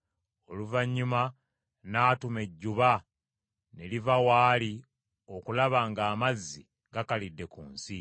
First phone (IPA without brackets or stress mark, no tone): o̞